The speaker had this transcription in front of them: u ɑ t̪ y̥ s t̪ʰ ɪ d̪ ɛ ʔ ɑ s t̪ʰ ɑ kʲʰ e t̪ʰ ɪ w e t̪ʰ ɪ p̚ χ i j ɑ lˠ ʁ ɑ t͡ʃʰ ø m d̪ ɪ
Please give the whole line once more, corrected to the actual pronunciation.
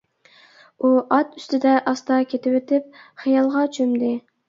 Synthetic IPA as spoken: u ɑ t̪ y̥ s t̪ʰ ɪ d̪ ɛ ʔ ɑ s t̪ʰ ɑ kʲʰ e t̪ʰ ɪ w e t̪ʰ ɪ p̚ χ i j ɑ lˠ ʁ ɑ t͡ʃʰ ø m d̪ ɪ